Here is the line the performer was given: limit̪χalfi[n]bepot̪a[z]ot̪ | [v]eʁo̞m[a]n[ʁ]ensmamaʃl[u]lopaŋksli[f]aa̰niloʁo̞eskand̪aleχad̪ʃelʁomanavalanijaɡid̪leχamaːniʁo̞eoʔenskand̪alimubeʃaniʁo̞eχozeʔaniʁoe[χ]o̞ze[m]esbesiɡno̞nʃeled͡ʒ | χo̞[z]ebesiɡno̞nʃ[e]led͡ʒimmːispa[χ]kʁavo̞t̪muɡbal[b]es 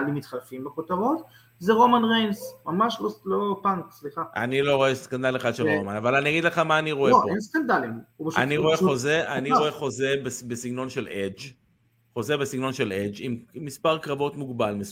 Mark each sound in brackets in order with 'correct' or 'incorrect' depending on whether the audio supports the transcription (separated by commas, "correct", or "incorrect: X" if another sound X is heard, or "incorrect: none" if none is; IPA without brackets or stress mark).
incorrect: m, incorrect: ʁ, incorrect: z, correct, correct, incorrect: o, incorrect: χ, correct, incorrect: b, correct, correct, incorrect: ʁ, incorrect: m